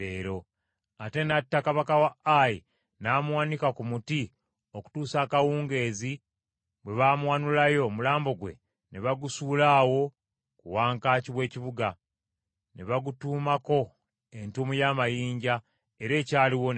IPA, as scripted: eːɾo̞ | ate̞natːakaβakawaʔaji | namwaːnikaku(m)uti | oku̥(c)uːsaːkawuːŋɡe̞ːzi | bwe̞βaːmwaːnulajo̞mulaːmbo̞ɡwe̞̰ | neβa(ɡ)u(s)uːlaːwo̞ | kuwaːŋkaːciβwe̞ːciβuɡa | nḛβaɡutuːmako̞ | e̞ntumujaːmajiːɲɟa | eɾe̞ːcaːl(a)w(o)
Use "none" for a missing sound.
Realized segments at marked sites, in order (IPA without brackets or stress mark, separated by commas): m, t, ɡ, s, i, o